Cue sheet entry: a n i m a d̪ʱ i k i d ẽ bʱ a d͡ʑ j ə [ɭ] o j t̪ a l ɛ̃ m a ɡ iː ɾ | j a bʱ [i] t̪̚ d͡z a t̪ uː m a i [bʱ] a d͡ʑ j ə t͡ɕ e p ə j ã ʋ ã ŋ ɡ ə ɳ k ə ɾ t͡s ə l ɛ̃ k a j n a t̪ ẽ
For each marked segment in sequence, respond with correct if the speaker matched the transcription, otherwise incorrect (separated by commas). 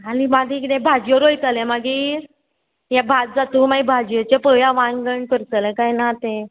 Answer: incorrect, incorrect, correct